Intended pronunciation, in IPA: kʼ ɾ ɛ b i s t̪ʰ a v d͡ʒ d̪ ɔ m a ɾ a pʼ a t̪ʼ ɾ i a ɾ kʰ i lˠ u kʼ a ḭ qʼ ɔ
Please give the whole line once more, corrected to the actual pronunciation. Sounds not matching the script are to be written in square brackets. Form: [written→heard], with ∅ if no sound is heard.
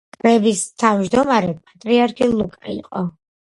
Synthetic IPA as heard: kʼ ɾ ɛ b i s t̪ʰ a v d͡ʒ d̪ ɔ m a ɾ [a→ɛ] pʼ a t̪ʼ ɾ i a ɾ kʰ i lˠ u kʼ a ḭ qʼ ɔ